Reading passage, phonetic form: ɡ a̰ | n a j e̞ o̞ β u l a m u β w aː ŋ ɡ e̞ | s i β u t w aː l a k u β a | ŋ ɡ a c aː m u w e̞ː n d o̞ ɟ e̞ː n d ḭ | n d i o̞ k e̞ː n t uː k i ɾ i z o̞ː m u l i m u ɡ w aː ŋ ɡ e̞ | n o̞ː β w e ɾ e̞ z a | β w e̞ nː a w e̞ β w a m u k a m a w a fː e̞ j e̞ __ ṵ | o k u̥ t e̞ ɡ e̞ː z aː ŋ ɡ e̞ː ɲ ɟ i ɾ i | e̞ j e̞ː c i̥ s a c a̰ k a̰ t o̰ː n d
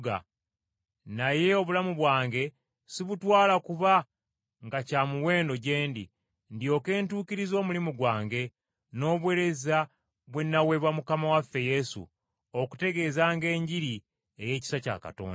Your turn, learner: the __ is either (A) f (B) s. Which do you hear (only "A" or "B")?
B